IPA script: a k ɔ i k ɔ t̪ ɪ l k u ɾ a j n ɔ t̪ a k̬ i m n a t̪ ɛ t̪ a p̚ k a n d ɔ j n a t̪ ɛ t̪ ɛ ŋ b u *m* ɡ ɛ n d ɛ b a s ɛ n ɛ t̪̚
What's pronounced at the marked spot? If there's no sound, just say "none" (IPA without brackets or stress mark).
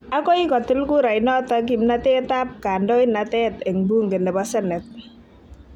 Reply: ŋ